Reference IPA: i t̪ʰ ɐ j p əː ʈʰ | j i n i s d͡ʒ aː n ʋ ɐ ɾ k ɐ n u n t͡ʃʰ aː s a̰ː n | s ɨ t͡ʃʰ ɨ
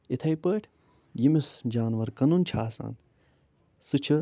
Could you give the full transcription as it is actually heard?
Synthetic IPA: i t̪ʰ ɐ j p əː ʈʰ | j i m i s d͡ʒ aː n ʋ ɐ ɾ k ɐ n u n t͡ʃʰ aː s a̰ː n | s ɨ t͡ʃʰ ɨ